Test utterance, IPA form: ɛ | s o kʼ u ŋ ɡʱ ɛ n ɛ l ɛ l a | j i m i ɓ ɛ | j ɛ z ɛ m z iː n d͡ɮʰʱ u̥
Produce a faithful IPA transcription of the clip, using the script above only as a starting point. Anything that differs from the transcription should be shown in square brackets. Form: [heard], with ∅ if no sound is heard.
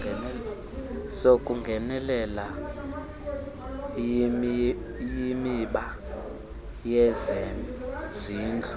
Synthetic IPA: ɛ | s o kʼ u ŋ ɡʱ ɛ n ɛ l ɛ l a | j i m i ɓ [a] | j ɛ z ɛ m z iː n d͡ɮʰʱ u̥